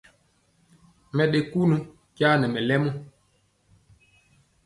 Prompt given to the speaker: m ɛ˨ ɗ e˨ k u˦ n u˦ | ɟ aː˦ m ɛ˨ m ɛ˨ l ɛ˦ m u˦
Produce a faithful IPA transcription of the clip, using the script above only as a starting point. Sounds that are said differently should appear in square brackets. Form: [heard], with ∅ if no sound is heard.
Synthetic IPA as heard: m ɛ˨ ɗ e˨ k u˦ n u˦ | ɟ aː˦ [n] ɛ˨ m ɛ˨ l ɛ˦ m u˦